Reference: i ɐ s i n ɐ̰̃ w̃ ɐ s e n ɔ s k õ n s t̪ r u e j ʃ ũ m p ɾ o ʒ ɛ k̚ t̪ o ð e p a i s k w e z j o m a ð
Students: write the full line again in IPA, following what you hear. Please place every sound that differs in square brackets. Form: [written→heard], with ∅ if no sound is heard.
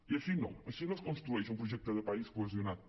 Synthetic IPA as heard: i ɐ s i n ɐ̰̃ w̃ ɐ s [e→i] n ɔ s k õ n s t̪ [r→ɾ] u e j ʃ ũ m p ɾ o ʒ ɛ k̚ t̪ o ð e p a i s k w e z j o [m→n] a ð